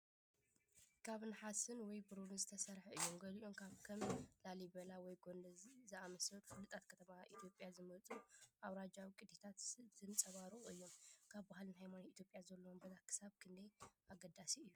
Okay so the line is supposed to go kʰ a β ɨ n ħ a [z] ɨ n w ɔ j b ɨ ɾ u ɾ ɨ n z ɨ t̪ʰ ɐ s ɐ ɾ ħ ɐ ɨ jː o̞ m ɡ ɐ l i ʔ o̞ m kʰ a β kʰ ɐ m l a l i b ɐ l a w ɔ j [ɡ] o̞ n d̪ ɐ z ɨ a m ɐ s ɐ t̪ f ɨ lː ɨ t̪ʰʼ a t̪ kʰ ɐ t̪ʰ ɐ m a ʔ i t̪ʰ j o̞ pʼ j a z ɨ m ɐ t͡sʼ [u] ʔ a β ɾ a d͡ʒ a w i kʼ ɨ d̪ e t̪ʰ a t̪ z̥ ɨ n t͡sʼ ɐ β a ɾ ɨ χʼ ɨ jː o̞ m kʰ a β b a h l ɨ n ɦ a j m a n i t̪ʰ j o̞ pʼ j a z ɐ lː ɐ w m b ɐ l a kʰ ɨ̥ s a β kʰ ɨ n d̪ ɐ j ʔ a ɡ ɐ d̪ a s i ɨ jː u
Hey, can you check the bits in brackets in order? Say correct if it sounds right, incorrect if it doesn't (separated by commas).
incorrect, correct, correct